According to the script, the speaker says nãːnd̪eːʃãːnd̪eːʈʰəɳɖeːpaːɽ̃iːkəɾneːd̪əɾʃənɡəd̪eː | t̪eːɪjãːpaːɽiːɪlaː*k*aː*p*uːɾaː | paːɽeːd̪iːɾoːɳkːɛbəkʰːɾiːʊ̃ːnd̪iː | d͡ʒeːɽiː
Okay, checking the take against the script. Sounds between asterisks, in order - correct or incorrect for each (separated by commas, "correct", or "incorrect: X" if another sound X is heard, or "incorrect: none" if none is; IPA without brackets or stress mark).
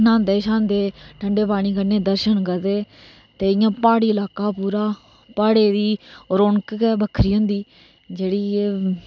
correct, correct